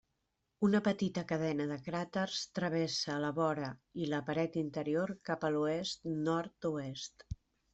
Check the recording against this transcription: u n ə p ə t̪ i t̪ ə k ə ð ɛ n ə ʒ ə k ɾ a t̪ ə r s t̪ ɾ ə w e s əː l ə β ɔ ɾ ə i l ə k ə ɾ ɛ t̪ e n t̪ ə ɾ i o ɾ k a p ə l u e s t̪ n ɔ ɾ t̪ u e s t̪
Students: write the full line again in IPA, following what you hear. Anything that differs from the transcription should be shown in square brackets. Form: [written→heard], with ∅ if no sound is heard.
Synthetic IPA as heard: u n ə p ə t̪ i t̪ ə k ə ð ɛ n ə [ʒ→ð] ə k ɾ a t̪ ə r s t̪ ɾ ə [w→β] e s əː l ə β ɔ ɾ ə i l ə [k→p] ə ɾ ɛ t̪ [e→i] n t̪ ə ɾ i o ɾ k a p ə l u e s t̪ n ɔ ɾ t̪ u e s t̪